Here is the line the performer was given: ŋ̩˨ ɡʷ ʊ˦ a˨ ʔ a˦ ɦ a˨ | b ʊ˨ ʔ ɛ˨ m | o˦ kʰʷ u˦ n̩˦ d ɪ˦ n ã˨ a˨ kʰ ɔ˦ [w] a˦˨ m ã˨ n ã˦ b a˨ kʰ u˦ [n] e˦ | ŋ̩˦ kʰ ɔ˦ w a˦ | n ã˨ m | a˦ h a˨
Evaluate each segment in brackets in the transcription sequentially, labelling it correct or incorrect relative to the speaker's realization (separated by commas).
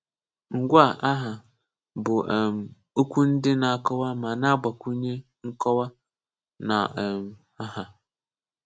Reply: correct, incorrect